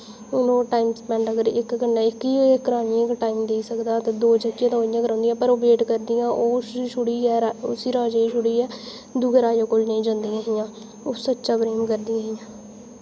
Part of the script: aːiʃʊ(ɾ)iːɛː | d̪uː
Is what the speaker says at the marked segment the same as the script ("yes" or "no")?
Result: no